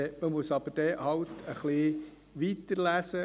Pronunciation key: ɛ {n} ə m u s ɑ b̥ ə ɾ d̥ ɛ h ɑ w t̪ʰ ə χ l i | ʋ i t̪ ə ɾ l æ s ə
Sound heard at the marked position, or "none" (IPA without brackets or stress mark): m